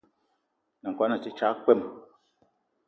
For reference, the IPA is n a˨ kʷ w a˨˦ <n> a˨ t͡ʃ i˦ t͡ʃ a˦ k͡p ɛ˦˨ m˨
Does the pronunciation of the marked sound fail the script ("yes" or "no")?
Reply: no